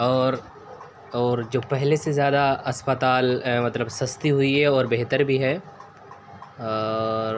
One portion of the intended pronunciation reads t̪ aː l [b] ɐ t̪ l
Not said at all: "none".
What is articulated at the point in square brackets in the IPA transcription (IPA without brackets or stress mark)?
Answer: m